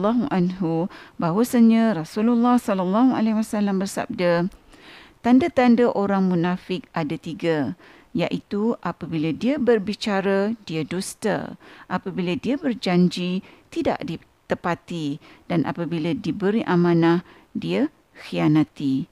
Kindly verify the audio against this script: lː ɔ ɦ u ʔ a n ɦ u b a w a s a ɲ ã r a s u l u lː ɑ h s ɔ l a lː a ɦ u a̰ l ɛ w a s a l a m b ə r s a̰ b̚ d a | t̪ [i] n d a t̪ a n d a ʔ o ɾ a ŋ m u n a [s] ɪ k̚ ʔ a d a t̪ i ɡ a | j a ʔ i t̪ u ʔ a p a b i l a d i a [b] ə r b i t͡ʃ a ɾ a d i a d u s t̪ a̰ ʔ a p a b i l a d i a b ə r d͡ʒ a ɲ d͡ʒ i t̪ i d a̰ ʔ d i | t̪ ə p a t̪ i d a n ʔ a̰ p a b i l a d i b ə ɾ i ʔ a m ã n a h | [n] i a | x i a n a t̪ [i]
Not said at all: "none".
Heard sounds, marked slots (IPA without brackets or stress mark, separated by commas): a, f, b, d, i